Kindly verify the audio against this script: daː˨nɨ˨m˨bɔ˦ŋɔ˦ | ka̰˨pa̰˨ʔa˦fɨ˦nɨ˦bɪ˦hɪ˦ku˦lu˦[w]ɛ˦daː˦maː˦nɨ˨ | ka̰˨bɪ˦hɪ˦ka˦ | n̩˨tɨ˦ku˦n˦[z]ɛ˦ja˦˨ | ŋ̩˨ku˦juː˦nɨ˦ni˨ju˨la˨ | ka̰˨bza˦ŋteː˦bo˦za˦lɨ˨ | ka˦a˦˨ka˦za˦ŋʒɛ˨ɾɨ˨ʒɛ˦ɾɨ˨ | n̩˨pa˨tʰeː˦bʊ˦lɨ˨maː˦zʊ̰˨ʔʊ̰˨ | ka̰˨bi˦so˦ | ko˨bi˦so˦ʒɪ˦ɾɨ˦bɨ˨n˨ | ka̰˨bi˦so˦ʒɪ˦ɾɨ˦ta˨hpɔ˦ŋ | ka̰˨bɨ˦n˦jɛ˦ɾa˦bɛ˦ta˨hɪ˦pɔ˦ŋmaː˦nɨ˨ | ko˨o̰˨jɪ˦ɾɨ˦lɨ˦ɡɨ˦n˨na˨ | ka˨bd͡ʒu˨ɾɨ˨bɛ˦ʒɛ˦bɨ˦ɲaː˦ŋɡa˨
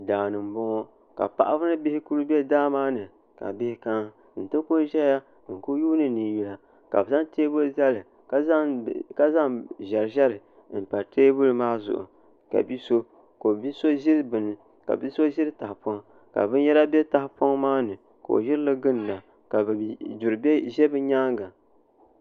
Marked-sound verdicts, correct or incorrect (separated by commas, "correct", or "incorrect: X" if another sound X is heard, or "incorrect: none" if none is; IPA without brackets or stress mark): incorrect: b, incorrect: ʒ